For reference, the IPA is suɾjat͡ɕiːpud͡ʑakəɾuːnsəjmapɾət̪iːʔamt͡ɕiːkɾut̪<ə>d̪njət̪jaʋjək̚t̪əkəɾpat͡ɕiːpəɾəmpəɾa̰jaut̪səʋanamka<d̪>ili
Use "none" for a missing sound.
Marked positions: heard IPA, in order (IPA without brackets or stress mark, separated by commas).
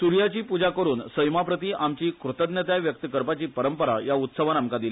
ə, d̪